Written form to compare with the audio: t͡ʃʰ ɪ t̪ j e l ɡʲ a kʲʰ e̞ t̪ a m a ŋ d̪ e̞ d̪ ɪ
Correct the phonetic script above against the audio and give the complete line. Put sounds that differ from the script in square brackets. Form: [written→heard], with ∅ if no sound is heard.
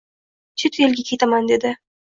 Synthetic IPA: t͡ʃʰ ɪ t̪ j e l ɡʲ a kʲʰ e̞ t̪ a m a [ŋ→n] d̪ e̞ d̪ ɪ